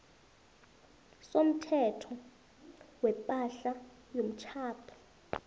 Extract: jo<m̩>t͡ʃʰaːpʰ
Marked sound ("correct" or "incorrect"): correct